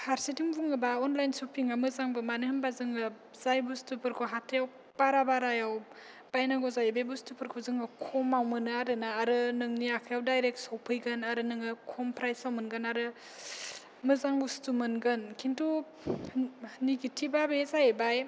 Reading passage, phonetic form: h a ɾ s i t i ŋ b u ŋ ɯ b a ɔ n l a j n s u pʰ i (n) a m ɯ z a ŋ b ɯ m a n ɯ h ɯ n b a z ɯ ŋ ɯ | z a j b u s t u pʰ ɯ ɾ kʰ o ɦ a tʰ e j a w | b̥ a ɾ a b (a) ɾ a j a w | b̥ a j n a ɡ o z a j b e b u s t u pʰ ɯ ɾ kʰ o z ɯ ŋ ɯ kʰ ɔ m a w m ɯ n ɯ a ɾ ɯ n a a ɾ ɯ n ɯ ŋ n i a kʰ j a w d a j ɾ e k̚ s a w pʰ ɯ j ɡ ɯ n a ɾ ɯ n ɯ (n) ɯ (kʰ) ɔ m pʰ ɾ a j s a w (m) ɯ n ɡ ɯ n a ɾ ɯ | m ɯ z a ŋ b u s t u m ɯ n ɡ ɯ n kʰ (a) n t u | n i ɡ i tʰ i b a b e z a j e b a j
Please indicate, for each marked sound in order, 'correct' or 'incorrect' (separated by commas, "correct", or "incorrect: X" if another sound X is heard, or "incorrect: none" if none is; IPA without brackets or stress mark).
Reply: incorrect: ŋ, correct, incorrect: ŋ, correct, correct, incorrect: i